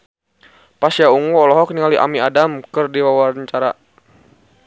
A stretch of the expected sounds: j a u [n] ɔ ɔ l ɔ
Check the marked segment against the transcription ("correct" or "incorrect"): incorrect